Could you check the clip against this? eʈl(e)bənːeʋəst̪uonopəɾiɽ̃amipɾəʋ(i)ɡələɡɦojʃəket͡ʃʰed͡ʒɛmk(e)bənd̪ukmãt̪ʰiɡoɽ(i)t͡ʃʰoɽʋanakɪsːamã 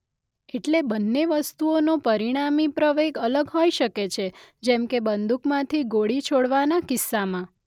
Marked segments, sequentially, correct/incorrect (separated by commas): correct, incorrect, correct, correct